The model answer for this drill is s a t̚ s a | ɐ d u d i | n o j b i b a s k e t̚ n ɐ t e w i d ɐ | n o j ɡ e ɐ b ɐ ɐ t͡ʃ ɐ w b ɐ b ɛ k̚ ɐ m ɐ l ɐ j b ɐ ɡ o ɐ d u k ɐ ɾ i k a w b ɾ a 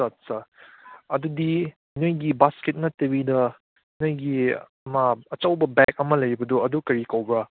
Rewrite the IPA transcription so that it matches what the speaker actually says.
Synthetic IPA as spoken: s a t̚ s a | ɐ d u d i | n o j ɡ i b a s k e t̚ n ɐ t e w i d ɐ | n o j ɡ i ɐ m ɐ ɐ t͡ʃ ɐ w b ɐ b ɛ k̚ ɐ m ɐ l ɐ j b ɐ d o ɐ d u k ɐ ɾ i k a w b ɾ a

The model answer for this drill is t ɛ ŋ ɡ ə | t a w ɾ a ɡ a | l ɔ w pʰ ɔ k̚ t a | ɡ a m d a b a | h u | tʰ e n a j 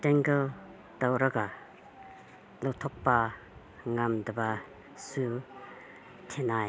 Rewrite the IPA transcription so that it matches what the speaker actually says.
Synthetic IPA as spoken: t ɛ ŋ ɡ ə | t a w ɾ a ɡ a | l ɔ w tʰ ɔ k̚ p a | ŋ a m d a b a | s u | tʰ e n a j

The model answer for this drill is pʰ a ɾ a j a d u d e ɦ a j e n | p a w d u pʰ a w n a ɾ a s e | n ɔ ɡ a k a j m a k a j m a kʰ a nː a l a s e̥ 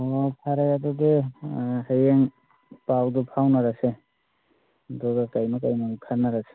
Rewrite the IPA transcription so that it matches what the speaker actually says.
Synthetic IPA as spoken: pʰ a ɾ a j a d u d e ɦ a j e ŋ | p a w d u pʰ a w n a ɾ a s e | d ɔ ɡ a k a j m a k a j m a kʰ a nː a ɾ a s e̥

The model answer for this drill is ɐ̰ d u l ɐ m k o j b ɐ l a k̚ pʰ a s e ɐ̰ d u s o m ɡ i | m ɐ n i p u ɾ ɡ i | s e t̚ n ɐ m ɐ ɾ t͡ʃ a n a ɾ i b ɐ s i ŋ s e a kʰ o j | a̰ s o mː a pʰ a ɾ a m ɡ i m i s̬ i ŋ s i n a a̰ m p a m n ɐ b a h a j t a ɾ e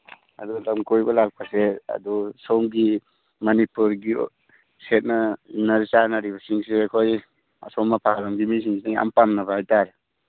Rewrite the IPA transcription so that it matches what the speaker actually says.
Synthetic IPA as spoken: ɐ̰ d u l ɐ m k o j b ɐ l a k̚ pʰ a s e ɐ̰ d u s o m ɡ i | m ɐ n i p u ɾ ɡ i | s e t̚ n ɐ n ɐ ɾ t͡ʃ a n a ɾ i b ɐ s i ŋ s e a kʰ o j | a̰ s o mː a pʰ a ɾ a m ɡ i m i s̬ i ŋ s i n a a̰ m p a m n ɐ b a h a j t a ɾ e

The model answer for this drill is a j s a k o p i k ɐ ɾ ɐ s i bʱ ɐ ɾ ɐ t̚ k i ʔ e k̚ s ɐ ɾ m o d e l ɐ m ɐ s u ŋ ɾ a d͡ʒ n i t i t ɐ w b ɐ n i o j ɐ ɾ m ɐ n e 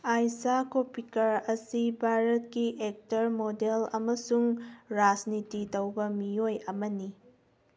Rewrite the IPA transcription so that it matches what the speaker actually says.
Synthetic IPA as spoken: a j s a k o p i k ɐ ɾ ɐ s i bʱ a ɾ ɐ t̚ k i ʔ e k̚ t ɐ ɾ m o d e l ɐ m ɐ s u ŋ ɾ a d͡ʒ n i t i t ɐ w b ɐ m i o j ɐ m ɐ n i

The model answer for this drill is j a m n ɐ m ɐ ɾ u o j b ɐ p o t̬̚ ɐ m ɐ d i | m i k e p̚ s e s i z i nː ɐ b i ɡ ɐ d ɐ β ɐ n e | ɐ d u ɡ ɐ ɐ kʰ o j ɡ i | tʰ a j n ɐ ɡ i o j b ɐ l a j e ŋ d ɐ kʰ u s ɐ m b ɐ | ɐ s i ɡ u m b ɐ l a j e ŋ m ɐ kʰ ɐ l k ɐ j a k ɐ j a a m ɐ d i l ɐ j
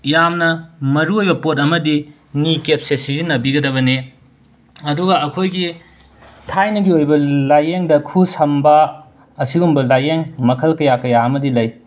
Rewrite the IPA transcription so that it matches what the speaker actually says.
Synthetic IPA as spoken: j a m n ɐ m ɐ ɾ u o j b ɐ p o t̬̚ ɐ m ɐ d i | n i k e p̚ s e s i z i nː ɐ b i ɡ ɐ d ɐ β ɐ n e | ɐ d u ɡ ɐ ɐ kʰ o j ɡ i | tʰ a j n ɐ ɡ i o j b ɐ l a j e ŋ d ɐ kʰ u s ɐ m b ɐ | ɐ s i ɡ u m b ɐ l a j e ŋ m ɐ kʰ ɐ l k ɐ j a k ɐ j a ɐ m ɐ d i l ɐ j

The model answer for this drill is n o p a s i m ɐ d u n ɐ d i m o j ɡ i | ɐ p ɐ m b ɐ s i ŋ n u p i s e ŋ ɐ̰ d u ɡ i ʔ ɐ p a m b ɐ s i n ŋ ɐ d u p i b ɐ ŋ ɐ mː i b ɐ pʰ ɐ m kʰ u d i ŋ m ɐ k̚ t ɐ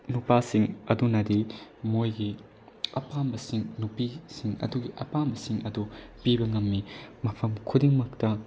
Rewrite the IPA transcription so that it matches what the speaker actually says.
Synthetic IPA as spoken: n u p a s i ŋ ɐ d u n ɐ d i m o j ɡ i | ɐ p a m b ɐ s i ŋ n u p i s i ŋ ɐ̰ d u ɡ i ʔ ɐ p a m b ɐ s i ŋ ɐ d u p i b ɐ ŋ ɐ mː i m ɐ pʰ ɐ m kʰ u d i ŋ m ɐ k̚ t ɐ

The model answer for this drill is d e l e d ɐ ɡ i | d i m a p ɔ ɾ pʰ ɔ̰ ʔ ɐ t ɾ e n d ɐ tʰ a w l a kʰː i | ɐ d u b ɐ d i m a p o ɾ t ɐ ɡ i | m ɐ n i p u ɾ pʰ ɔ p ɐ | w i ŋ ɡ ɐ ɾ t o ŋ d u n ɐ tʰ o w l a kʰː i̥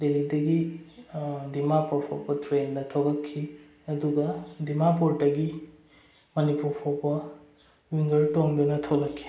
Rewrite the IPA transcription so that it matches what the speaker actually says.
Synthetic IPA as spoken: d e l i d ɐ ɡ i | d i m a p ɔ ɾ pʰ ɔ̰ p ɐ t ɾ e n d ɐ tʰ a w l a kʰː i | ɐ d u ɡ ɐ d i m a p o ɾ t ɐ ɡ i | m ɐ n i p u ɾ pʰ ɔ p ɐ | w i ŋ ɡ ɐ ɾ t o ŋ d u n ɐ tʰ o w l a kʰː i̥

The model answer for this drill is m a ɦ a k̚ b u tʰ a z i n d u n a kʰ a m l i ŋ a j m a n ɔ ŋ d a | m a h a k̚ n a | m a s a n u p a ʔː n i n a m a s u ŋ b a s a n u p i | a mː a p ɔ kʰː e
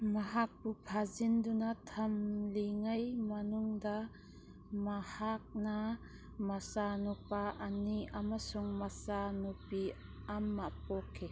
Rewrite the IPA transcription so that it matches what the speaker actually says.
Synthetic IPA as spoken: m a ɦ a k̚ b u pʰ a z i n d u n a tʰ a m l i ŋ a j m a n u ŋ d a | m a h a k̚ n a | m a s a n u p a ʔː n i a m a s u ŋ m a s a n u p i | a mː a p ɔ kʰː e

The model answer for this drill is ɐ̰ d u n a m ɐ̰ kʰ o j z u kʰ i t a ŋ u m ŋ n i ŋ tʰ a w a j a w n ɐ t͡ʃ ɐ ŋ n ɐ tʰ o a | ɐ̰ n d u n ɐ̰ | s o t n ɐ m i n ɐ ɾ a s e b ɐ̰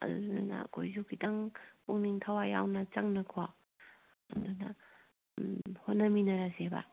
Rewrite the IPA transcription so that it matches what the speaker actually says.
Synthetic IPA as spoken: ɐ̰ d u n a n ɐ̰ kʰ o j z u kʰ i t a ŋ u ŋ n i ŋ tʰ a w a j a w n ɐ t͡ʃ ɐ ŋ n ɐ kʰ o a | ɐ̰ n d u n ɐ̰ | h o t n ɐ m i n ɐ ɾ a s e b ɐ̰

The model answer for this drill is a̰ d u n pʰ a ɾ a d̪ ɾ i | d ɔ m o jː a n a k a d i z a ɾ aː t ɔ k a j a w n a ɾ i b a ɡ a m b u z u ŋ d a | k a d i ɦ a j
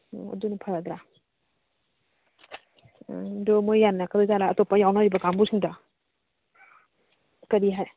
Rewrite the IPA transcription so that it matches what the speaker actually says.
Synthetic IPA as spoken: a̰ d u n pʰ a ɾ a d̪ ɾ a | d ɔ m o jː a n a k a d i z a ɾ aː t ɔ p a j a w n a ɾ i b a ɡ a m b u s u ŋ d a | k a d i ɦ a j

